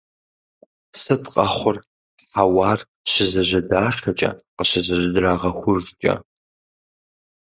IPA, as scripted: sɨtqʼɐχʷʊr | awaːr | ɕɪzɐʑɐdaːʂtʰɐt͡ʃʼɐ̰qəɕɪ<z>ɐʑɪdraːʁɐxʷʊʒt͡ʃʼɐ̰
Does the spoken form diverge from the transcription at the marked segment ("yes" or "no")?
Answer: no